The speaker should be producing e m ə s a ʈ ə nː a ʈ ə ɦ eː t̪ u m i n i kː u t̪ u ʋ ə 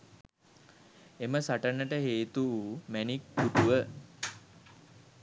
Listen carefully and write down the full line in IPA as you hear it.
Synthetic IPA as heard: e m ə s a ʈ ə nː ə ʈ ə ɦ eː t̪ u m æ n i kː u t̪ u ʋ ə